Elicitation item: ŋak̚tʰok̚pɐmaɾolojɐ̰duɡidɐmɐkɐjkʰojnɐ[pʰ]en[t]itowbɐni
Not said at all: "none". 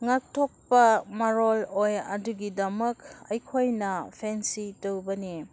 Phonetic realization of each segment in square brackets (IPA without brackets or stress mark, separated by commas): pʰ, s